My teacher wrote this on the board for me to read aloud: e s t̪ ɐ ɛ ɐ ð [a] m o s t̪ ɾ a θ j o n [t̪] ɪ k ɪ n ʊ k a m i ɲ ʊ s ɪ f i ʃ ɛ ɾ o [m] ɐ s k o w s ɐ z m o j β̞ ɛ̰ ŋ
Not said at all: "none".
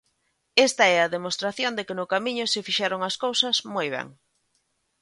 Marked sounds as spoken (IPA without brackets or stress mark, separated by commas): e, d̪, ŋ